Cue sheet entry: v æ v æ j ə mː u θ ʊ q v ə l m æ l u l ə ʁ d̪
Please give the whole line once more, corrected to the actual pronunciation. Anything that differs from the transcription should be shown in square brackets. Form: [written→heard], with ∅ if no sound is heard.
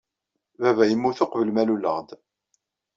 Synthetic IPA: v æ v æ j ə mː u θ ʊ q v ə l m æ l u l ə ʁ d̪